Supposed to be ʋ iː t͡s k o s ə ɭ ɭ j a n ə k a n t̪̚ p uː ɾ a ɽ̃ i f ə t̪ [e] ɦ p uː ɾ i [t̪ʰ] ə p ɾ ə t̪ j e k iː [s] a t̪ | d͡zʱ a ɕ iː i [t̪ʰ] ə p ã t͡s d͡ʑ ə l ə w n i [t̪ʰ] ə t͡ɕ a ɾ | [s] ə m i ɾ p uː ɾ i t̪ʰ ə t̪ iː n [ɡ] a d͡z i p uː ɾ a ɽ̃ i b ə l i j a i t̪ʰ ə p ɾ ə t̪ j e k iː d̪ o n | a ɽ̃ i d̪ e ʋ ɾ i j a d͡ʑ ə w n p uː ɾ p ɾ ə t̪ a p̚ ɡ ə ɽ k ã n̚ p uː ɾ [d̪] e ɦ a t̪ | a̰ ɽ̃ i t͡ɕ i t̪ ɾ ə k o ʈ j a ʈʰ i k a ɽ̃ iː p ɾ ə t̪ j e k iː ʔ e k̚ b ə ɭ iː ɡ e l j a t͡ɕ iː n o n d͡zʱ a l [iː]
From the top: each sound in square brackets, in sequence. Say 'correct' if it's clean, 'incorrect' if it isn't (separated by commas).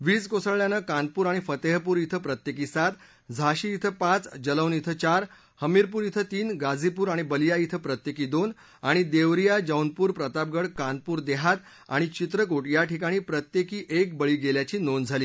correct, correct, correct, correct, correct, incorrect, correct, correct, correct